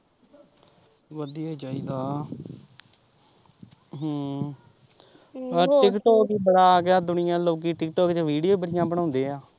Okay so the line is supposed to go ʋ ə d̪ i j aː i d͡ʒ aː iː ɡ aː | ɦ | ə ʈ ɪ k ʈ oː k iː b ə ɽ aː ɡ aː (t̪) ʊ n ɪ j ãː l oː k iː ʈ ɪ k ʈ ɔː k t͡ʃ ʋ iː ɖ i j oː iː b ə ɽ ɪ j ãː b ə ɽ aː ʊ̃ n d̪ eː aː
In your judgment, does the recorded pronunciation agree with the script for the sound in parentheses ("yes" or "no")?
no